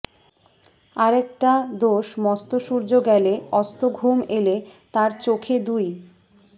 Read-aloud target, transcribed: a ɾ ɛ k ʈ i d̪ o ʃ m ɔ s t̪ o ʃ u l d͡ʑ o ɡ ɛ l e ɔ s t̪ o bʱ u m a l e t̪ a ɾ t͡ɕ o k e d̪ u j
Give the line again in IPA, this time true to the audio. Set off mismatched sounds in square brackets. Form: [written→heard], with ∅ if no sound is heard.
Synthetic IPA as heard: a ɾ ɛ k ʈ [i→a] d̪ o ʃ m ɔ s t̪ o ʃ u [l→ɾ] d͡ʑ o ɡ ɛ l e ɔ s t̪ o [bʱ→ɡʱ] u m [a→e] l e t̪ a ɾ t͡ɕ o [k→kʰ] e d̪ u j